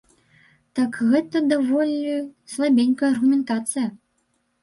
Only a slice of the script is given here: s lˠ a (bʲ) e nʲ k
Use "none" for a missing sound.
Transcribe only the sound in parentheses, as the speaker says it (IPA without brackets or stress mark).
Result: bʲ